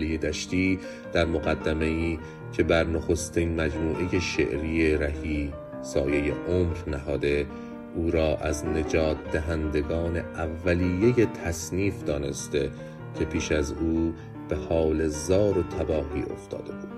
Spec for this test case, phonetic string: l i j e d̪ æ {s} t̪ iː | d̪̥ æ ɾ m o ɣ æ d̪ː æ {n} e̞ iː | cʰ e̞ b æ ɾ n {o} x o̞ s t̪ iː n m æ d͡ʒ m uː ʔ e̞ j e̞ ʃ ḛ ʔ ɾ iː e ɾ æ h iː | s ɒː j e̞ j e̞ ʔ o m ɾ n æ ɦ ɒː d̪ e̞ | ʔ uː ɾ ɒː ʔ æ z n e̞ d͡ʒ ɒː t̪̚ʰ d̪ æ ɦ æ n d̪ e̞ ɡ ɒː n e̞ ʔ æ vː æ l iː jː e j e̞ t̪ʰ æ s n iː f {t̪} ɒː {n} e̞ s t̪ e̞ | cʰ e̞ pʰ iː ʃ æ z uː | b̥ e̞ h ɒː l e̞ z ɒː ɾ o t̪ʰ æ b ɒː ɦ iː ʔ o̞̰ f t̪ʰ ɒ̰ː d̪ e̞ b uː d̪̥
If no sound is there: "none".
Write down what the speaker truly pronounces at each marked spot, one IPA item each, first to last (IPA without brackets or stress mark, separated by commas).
ʃ, m, o, d̪, n